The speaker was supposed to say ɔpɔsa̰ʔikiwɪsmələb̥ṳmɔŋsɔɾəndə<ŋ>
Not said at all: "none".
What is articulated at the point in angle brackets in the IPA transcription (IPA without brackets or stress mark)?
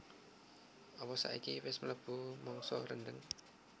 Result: ŋ